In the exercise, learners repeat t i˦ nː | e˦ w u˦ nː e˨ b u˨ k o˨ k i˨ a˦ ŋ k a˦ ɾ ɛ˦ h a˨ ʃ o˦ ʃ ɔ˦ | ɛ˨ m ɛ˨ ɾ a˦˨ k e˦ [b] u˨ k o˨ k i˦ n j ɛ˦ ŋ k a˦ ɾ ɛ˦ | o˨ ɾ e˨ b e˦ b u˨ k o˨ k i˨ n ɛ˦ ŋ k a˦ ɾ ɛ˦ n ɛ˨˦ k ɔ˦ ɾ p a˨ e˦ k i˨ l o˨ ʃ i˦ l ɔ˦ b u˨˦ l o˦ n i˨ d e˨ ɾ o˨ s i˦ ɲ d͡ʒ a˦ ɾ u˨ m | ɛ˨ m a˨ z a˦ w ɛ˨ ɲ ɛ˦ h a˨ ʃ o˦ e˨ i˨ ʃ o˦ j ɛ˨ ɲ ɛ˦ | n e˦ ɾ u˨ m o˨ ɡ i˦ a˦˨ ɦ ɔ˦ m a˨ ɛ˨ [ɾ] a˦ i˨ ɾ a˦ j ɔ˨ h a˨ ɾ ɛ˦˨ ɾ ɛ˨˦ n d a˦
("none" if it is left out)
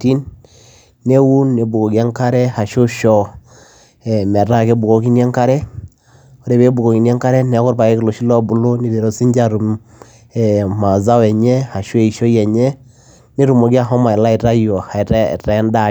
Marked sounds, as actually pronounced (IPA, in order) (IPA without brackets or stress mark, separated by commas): b, l